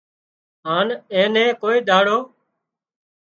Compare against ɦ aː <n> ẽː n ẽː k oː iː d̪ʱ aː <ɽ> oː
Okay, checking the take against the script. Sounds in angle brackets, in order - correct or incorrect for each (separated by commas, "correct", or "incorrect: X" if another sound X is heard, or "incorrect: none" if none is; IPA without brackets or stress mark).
correct, correct